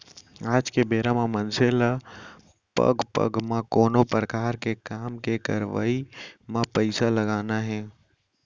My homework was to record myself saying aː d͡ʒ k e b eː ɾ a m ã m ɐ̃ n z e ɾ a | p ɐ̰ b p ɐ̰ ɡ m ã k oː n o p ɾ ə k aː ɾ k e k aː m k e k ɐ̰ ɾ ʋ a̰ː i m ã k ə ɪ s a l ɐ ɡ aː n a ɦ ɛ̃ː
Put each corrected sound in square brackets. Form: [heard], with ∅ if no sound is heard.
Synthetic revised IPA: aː d͡ʒ k e b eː ɾ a m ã m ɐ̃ n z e [l] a | p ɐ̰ [ɡ] p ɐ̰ ɡ m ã k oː n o p ɾ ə k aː ɾ k e k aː m k e k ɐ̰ ɾ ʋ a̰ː i m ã [p] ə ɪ s a l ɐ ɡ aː n a ɦ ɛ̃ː